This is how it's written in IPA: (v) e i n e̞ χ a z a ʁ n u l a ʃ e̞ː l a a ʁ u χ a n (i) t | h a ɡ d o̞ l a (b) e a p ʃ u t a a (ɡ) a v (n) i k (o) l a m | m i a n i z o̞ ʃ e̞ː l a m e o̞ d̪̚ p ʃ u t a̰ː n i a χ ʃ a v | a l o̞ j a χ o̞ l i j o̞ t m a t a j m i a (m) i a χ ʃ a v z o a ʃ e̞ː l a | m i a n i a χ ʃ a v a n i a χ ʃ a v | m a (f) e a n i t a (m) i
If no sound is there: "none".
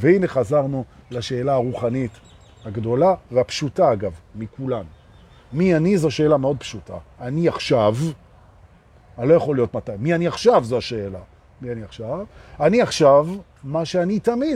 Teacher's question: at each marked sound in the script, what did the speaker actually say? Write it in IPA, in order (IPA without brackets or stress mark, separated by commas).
v, i, v, ɡ, m, u, n, ʃ, m